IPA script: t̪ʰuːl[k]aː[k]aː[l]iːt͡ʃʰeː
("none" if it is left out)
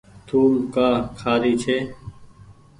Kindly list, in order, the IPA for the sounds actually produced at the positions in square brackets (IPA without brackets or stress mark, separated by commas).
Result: k, kʰ, ɾ